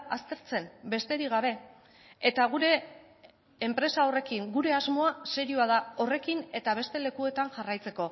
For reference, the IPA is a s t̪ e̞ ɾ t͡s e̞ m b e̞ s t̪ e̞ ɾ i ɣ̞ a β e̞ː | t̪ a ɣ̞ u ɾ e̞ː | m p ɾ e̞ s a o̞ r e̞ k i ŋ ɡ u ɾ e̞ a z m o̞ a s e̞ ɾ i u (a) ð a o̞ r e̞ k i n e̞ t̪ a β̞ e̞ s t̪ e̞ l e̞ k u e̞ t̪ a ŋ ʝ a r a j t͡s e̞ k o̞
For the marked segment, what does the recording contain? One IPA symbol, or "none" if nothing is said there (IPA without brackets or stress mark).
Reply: a